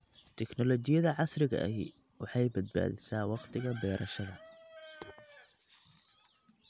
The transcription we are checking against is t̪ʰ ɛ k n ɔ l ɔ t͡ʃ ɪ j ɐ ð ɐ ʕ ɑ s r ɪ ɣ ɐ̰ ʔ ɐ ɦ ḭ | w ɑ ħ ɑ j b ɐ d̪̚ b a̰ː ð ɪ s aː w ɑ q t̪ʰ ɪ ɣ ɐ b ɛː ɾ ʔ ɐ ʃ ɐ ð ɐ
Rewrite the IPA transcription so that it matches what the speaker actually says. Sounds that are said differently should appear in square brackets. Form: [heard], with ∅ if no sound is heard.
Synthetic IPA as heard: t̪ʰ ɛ k n ɔ l ɔ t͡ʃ ɪ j ɐ ð ɐ ʕ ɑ s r ɪ ɣ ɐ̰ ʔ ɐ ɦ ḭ | w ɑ ħ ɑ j b ɐ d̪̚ b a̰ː ð ɪ s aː w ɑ q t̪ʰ ɪ ɣ ɐ b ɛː ɾ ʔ ɐ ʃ ɐ ð ɐ